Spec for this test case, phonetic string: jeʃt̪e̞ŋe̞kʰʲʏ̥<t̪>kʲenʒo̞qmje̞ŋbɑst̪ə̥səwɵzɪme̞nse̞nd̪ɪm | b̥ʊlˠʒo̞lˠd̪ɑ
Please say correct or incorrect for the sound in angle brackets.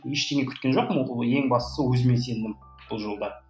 correct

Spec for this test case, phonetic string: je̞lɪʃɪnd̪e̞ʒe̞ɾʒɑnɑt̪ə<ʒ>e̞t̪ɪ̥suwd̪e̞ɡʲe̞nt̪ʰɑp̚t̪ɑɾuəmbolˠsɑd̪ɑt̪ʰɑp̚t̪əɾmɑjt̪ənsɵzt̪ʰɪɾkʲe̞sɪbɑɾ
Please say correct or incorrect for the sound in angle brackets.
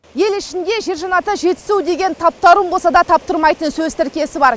correct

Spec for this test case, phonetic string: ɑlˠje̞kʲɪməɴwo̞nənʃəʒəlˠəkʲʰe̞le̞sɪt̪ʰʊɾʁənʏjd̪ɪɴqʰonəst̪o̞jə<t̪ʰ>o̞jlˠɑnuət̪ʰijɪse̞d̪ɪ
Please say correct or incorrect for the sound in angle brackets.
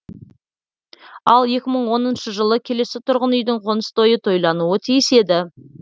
correct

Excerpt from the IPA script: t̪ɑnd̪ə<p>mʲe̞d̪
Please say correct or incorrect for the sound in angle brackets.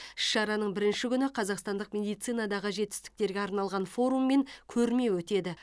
incorrect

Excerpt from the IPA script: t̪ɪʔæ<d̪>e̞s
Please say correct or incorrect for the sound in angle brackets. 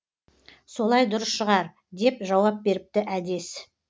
correct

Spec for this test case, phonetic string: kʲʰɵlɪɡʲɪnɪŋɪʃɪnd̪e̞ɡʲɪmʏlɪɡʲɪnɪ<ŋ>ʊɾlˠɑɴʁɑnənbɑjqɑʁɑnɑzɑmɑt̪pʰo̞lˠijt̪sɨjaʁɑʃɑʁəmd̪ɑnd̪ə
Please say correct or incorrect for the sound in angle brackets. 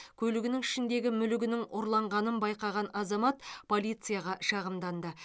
correct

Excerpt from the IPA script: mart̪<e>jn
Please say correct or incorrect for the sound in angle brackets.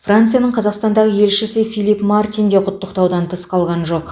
incorrect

